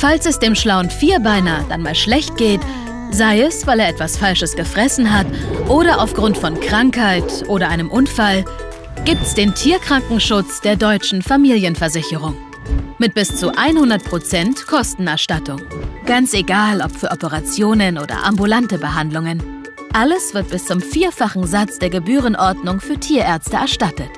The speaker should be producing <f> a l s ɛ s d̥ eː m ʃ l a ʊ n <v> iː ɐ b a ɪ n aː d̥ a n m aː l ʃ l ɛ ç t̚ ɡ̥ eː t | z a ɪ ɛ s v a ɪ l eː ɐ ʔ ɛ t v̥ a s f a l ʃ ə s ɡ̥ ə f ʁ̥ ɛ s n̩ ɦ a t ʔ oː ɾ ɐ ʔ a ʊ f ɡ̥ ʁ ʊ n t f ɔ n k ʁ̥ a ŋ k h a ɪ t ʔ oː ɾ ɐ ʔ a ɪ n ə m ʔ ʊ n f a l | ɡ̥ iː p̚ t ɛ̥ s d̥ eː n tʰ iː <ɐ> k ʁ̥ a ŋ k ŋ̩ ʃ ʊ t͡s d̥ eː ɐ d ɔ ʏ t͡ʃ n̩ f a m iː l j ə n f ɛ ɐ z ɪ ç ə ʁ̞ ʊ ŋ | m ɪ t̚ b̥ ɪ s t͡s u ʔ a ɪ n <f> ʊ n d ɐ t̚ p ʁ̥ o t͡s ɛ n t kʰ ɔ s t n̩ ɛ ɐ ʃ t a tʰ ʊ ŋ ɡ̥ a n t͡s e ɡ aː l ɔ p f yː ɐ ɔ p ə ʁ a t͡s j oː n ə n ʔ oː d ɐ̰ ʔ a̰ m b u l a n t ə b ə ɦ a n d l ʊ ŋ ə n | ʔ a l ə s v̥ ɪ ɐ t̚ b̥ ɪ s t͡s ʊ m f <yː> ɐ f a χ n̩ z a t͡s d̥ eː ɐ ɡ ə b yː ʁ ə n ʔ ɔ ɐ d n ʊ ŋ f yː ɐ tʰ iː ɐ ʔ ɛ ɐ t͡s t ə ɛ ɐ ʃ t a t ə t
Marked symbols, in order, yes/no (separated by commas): yes, no, yes, no, no